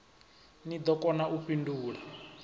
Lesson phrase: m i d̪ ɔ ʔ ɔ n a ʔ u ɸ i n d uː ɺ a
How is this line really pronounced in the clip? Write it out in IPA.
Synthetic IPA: n i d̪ ɔ k ɔ n a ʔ u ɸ i n d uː ɺ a